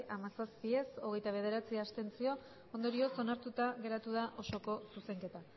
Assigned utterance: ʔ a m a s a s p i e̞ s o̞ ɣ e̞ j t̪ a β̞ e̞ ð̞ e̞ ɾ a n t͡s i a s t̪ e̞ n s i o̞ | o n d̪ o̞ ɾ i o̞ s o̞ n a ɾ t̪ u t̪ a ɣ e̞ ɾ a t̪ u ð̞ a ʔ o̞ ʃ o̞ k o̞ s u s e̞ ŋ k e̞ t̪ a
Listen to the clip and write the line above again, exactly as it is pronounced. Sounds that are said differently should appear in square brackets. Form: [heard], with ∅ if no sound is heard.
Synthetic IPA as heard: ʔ a m a s a s p i e̞ s o̞ ɣ e̞ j t̪ a β̞ e̞ ð̞ e̞ ɾ a [∅] t͡s i a s t̪ e̞ n [t͡s] i o̞ | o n d̪ o̞ ɾ i o̞ s o̞ n a ɾ t̪ u t̪ a ɣ e̞ ɾ a t̪ u ð̞ a ʔ o̞ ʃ o̞ k o̞ s u s e̞ ŋ k e̞ t̪ a